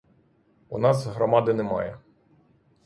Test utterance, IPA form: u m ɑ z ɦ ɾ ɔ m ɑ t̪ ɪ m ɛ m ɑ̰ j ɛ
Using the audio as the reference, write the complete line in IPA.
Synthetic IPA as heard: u n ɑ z ɦ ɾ ɔ m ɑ d̪ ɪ n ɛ m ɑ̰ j ɛ